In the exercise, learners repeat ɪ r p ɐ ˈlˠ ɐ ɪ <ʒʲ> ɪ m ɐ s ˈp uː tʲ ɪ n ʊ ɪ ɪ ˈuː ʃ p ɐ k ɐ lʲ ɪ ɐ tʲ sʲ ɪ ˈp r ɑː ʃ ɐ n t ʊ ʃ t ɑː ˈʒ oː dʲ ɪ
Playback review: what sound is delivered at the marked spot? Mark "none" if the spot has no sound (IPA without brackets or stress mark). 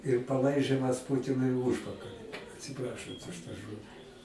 ʒʲ